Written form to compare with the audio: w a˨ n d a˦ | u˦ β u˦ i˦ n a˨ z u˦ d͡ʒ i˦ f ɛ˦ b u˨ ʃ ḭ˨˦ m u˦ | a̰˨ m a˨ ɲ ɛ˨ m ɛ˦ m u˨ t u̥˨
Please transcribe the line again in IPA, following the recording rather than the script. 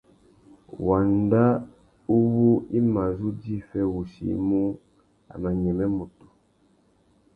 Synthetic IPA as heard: w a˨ n d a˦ | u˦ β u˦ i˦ m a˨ z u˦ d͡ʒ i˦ f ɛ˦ w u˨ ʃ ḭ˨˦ m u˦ | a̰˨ m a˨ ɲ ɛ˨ m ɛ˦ m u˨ t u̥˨